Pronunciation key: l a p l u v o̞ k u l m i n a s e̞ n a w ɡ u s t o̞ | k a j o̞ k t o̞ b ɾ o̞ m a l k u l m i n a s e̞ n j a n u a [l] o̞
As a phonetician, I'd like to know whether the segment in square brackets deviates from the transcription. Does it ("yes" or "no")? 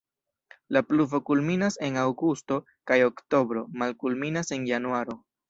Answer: yes